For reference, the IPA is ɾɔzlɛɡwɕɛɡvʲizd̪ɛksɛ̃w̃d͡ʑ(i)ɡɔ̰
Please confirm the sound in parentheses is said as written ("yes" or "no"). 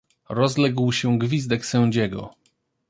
no